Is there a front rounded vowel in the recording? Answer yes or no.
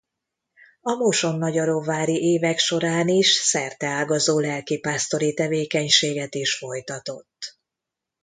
no